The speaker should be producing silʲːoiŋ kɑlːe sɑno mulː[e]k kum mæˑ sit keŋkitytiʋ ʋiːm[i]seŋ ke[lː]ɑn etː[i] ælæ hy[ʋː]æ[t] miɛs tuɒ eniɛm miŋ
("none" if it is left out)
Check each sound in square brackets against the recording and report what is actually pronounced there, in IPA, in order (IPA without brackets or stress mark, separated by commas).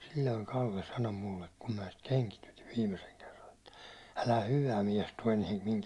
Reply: e, e, rː, æ, ʋ, none